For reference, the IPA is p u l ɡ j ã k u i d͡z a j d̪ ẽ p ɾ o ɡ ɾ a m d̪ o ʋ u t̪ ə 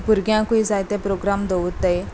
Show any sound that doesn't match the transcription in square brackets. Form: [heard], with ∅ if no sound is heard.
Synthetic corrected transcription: p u [ɾ] ɡ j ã k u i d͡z a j [t̪] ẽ p ɾ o ɡ ɾ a m d̪ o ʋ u t̪ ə